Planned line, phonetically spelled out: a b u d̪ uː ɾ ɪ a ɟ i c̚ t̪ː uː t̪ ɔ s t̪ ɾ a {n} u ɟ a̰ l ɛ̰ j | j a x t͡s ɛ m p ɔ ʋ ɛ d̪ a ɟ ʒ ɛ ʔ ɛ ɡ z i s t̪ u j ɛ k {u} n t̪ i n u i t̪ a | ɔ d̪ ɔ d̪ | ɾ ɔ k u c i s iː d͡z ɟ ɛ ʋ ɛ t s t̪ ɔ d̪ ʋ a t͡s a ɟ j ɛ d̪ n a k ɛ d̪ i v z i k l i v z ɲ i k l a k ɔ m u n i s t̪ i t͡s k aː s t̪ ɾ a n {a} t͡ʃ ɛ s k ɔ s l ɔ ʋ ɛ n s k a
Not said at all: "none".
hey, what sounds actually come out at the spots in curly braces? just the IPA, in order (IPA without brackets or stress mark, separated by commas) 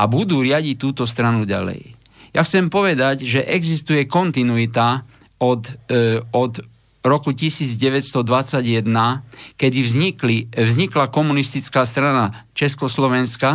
n, ɔ, a